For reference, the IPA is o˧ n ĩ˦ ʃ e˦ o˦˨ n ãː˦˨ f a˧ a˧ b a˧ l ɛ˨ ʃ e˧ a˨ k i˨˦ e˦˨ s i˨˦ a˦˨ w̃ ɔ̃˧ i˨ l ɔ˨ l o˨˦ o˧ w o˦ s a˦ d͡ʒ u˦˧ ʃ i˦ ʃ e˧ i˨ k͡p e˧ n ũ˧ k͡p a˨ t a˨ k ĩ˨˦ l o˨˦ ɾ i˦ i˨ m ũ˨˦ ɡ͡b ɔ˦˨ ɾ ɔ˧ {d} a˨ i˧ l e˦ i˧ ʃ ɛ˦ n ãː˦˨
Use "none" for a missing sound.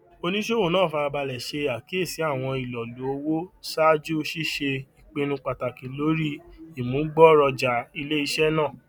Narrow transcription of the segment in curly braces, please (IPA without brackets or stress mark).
d͡ʒ